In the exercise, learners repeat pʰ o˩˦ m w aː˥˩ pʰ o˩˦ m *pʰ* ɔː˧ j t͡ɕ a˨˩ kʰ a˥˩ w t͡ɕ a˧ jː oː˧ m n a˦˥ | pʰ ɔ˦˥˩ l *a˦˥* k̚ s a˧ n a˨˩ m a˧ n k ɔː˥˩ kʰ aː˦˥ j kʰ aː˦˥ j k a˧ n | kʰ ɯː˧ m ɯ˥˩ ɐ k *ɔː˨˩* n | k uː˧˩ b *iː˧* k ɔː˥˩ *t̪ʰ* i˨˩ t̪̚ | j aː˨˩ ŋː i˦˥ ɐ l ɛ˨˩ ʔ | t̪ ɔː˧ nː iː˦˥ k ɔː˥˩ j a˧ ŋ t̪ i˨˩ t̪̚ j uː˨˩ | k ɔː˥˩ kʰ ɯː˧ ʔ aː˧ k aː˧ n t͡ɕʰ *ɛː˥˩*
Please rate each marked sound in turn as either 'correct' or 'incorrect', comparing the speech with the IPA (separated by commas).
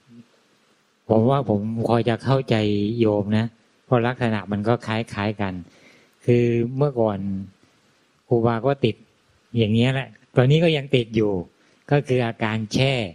incorrect, correct, correct, incorrect, incorrect, correct